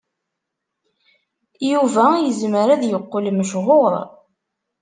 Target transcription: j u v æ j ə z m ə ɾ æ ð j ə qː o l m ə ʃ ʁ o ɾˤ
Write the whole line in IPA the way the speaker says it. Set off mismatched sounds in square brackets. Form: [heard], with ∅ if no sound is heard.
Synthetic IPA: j u v æ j ə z m ə ɾ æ ð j ə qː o l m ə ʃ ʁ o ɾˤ